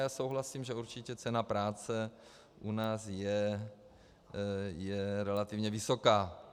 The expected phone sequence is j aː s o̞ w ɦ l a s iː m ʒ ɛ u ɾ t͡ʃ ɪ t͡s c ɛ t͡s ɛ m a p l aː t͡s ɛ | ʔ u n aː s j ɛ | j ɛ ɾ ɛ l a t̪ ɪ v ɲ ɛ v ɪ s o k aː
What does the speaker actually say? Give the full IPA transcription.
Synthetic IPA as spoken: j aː s o̞ w ɦ l a s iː m ʒ ɛ u ɾ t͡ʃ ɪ c ɛ t͡s ɛ n a p ɾ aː t͡s ɛ | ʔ u n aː s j ɛ | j ɛ ɾ ɛ l a t̪ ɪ v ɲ ɛ v ɪ s o k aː